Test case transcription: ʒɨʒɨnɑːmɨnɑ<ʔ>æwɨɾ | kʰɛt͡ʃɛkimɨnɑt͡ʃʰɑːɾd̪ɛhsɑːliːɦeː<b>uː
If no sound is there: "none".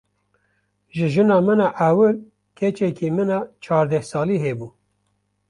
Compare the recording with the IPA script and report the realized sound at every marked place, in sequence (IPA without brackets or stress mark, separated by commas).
ʔ, b